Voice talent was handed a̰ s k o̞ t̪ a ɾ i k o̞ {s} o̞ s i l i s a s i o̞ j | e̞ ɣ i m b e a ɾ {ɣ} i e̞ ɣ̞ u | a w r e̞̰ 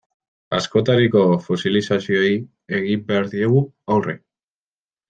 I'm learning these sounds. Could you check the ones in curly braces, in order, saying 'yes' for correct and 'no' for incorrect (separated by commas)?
no, no